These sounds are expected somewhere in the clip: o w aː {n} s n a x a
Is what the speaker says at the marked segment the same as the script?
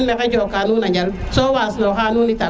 no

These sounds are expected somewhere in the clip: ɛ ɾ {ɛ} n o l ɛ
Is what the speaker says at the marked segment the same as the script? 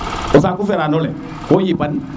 no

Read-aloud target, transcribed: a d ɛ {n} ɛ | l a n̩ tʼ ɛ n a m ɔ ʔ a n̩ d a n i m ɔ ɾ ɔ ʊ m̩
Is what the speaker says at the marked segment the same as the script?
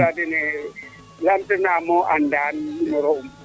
yes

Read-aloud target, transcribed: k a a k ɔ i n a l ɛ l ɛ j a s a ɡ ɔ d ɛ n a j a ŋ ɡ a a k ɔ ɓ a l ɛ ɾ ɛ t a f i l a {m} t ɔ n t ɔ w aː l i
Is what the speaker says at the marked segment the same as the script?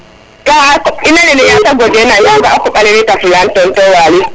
no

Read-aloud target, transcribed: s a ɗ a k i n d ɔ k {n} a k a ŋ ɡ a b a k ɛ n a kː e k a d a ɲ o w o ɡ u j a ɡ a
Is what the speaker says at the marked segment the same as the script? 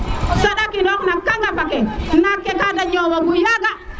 yes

